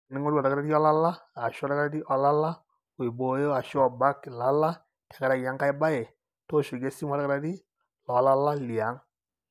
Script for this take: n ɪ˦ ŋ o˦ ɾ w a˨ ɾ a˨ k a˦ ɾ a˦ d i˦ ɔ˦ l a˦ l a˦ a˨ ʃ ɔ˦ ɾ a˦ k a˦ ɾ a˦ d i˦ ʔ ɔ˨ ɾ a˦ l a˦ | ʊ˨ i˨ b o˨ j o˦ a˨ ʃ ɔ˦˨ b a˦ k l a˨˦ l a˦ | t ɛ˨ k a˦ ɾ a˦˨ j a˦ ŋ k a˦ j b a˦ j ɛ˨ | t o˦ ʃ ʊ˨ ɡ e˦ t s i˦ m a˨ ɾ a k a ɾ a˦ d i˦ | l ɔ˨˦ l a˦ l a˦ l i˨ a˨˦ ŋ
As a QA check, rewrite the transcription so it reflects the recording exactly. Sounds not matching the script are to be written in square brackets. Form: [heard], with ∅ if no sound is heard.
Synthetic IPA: n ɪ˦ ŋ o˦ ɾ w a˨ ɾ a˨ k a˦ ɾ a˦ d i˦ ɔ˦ l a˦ l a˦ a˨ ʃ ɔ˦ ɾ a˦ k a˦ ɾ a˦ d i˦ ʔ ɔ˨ [l] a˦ l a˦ | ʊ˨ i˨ b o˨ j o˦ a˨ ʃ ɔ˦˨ b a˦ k l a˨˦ l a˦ | t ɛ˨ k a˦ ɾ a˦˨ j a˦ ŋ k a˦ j b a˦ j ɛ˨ | t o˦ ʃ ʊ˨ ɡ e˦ [∅] s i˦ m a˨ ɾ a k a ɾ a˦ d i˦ | l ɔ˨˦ l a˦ l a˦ l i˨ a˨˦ ŋ